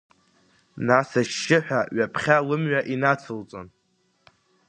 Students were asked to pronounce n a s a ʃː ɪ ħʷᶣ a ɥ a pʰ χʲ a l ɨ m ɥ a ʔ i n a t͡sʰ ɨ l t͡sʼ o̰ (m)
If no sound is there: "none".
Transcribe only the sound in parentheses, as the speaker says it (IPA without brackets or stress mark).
n